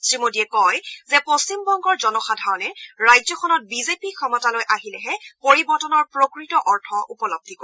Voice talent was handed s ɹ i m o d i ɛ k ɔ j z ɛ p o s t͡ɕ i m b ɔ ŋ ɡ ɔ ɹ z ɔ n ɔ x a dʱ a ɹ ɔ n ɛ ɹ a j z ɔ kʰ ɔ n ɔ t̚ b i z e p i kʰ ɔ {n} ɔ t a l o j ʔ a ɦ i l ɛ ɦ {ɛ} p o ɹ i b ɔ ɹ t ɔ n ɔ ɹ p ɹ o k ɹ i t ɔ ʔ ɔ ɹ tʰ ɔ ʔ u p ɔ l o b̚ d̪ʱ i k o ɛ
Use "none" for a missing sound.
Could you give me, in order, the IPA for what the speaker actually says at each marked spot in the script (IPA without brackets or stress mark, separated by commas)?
m, ɛ